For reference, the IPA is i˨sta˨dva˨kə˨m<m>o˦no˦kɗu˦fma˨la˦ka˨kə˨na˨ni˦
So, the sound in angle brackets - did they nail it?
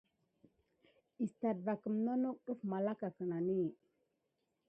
no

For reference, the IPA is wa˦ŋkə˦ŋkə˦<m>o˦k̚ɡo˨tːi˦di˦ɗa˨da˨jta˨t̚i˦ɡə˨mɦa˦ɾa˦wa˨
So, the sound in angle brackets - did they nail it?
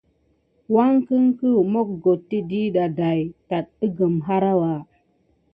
yes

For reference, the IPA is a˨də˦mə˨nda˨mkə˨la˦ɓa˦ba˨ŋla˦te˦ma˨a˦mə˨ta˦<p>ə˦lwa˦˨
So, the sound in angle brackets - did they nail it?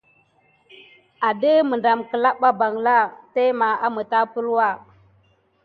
yes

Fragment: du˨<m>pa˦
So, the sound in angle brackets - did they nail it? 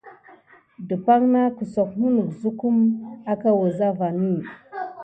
no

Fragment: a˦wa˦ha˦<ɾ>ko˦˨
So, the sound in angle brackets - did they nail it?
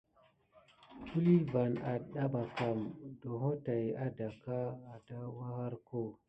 yes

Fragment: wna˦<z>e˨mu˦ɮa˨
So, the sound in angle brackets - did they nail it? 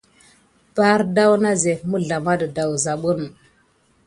yes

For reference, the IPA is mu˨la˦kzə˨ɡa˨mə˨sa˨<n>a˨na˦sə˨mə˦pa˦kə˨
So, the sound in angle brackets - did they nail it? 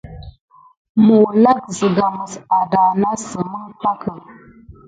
no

